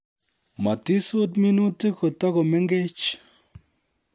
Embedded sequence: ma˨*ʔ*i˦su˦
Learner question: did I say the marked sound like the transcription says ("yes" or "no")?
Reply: no